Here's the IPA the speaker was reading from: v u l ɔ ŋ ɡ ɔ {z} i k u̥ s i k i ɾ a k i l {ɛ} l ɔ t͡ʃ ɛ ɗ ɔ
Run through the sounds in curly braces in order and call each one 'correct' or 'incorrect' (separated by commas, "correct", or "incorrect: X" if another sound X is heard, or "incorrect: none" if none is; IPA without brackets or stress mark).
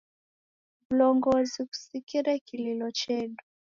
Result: correct, incorrect: i